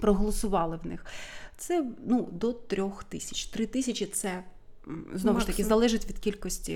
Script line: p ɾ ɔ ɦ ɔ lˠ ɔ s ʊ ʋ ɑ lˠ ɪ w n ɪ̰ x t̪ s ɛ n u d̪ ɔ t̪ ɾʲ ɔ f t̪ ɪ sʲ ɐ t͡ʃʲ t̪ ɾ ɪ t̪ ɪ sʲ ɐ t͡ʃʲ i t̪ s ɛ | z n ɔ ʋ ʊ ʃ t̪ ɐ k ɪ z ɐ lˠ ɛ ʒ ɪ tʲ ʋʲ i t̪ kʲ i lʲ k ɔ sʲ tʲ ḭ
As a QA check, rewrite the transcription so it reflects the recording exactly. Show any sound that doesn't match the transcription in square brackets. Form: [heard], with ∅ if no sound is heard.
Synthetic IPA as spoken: p ɾ ɔ ɦ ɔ lˠ ɔ s ʊ ʋ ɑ lˠ ɪ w n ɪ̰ x t̪ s ɛ n u d̪ ɔ t̪ ɾʲ ɔ [x] t̪ ɪ sʲ ɐ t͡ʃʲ t̪ ɾ ɪ t̪ ɪ sʲ ɐ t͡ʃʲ i t̪ s ɛ | z n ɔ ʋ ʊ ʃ t̪ ɐ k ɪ z ɐ lˠ ɛ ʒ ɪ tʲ ʋʲ i [d̪] kʲ i lʲ k ɔ sʲ tʲ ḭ